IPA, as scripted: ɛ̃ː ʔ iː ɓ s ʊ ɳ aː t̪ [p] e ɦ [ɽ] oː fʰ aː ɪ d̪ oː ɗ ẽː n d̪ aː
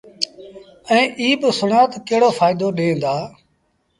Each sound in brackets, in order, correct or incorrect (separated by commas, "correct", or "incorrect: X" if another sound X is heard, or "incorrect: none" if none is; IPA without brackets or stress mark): incorrect: k, correct